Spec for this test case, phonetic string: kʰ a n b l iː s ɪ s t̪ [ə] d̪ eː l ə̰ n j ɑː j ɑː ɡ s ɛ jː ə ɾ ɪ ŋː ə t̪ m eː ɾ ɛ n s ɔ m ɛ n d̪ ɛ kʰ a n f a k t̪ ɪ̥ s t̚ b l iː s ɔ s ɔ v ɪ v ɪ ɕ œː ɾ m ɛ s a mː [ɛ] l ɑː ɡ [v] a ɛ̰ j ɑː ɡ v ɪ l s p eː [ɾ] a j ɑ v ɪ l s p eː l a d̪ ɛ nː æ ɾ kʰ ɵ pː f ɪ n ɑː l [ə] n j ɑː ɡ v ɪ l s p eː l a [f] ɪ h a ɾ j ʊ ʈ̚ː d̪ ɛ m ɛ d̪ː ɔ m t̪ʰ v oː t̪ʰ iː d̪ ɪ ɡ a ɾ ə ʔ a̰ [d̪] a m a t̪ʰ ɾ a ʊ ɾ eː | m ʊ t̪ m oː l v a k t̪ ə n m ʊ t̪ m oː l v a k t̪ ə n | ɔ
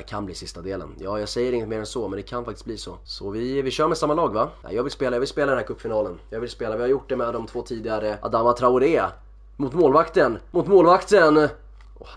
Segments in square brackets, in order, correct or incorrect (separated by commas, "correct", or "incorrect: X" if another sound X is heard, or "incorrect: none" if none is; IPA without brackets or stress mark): incorrect: a, incorrect: a, correct, incorrect: l, correct, incorrect: v, correct